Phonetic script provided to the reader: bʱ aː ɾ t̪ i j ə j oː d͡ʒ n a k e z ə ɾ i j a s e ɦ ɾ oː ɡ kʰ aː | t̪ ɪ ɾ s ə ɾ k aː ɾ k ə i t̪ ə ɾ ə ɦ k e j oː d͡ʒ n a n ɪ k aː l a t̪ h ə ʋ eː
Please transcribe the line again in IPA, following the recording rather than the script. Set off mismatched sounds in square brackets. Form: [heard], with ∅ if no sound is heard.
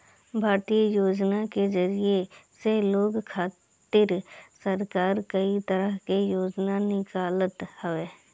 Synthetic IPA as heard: bʱ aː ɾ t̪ i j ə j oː d͡ʒ n a k e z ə ɾ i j [e] s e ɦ [l] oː ɡ kʰ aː | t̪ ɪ ɾ s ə ɾ k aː ɾ k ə i t̪ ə ɾ ə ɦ k e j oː d͡ʒ n a n ɪ k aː l [ə] t̪ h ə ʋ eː